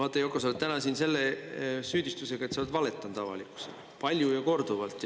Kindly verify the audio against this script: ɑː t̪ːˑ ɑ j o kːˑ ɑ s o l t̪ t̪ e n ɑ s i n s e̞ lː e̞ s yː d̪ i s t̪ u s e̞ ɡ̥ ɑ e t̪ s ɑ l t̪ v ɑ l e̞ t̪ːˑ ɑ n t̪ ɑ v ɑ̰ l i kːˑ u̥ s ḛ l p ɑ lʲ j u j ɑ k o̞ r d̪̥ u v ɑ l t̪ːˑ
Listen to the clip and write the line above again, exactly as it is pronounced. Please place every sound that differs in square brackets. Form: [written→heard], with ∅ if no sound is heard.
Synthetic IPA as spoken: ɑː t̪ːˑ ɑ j o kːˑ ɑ s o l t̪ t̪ [e→æ] n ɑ s i n s e̞ lː e̞ s yː d̪ i s t̪ u s e̞ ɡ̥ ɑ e t̪ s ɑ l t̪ v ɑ l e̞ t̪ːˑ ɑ n t̪ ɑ v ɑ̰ l i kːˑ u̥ s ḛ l p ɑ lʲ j u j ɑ k o̞ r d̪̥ u v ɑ l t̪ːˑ